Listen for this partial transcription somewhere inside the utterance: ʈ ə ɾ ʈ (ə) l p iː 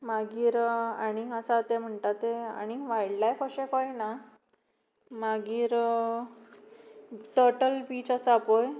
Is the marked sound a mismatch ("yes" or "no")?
no